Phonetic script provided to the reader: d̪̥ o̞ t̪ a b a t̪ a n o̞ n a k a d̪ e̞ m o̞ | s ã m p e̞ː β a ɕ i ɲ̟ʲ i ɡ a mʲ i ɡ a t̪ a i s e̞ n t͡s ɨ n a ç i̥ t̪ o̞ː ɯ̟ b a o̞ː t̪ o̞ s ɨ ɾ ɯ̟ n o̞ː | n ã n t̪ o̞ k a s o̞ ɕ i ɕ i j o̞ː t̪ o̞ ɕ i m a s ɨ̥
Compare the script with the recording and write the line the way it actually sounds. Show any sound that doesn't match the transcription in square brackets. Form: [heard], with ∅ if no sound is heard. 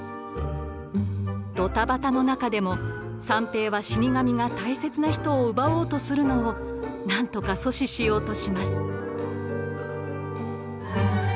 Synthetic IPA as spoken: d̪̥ o̞ t̪ a b a t̪ a n o̞ n a k a d̪ e̞ m o̞ | s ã m p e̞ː β a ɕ i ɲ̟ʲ i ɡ a mʲ i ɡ a t̪ a i s e̞ [∅] t͡s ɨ n a ç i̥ t̪ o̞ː ɯ̟ b a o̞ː t̪ o̞ s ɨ ɾ ɯ̟ n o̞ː | n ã n t̪ o̞ k a s o̞ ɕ i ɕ i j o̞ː t̪ o̞ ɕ i m a s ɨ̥